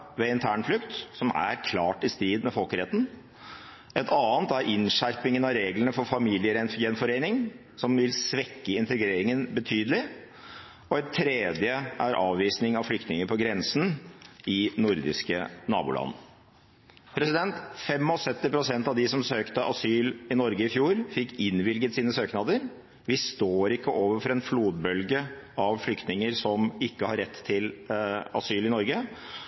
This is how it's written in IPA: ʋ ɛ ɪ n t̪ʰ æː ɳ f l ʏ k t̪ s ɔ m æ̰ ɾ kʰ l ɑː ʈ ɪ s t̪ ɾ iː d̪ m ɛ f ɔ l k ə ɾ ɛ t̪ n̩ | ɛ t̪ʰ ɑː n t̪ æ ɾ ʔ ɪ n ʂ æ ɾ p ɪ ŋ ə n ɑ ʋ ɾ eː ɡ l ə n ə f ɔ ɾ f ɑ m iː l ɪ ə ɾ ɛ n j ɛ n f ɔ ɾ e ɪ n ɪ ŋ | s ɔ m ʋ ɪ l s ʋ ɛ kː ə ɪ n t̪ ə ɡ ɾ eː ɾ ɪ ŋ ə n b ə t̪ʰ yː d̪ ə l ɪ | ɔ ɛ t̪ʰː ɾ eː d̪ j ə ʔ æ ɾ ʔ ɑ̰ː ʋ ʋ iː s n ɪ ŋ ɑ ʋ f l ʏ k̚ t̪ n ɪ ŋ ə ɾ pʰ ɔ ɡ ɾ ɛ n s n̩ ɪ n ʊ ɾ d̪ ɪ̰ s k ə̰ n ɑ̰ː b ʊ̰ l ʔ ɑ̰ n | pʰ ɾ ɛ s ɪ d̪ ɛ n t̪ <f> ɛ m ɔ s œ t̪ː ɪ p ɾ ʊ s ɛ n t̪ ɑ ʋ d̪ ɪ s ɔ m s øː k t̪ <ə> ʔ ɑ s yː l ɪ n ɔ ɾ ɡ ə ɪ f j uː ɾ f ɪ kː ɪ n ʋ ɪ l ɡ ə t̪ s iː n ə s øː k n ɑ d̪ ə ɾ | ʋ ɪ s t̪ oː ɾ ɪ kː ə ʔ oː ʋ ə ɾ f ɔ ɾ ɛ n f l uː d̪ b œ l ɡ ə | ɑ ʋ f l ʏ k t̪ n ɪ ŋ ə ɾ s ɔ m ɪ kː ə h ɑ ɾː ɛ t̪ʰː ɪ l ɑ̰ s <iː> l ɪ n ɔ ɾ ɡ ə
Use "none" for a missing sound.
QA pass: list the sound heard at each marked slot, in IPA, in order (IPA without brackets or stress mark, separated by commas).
f, ə, yː